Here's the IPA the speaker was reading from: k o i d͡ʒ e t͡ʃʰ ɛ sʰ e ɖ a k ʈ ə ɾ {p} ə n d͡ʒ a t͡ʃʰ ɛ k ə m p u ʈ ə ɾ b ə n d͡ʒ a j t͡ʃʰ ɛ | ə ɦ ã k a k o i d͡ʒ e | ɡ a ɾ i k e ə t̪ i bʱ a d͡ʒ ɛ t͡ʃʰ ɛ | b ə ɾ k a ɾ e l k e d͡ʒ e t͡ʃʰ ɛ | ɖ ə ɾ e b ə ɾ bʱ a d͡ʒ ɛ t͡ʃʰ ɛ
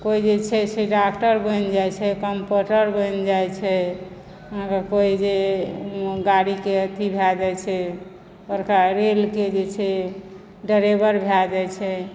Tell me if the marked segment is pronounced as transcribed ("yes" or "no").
no